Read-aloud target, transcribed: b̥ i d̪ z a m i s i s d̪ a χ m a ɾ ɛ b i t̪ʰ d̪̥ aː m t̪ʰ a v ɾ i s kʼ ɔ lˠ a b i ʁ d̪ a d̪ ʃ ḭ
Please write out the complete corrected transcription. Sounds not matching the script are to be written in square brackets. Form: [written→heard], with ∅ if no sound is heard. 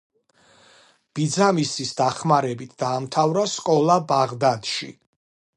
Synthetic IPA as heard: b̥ i d̪ z a m i s i s d̪ a χ m a ɾ ɛ b i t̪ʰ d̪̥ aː m t̪ʰ a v ɾ [i→a] s kʼ ɔ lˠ a b [i→a] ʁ d̪ a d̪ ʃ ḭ